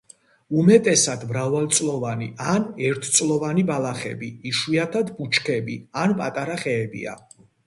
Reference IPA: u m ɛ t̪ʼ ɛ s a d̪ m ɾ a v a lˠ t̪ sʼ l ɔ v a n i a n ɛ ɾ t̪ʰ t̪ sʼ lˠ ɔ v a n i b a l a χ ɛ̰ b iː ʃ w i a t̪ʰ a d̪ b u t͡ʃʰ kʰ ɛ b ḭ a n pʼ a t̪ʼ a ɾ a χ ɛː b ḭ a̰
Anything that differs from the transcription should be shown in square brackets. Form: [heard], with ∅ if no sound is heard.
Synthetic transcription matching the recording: u m ɛ t̪ʼ ɛ s a d̪ m ɾ a v a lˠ t̪ sʼ l ɔ v a n i a n ɛ ɾ t̪ʰ t̪ sʼ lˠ ɔ v a n i b a l a χ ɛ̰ b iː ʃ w i a t̪ʰ a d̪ b u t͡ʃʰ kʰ ɛ b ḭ a n pʼ a t̪ʼ a ɾ a χ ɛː b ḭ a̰